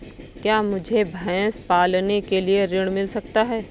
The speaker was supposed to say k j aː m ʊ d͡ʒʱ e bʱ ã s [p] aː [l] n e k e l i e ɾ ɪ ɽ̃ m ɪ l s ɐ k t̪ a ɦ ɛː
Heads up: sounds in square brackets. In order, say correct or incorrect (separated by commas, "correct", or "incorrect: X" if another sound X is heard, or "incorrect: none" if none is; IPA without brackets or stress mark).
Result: correct, correct